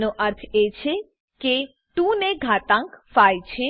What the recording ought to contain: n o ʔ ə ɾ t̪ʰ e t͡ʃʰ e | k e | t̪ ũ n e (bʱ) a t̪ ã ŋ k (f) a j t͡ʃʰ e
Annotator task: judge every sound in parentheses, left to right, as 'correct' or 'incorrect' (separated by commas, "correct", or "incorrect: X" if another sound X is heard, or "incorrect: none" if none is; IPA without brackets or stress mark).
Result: incorrect: ɡʱ, correct